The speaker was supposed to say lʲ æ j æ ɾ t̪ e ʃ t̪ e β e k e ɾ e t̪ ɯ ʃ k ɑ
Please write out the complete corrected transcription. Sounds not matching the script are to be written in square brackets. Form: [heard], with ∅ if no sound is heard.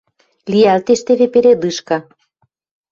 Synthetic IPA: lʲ [i] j æ [l] t̪ e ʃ t̪ e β e [p] e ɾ e [d̪] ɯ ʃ k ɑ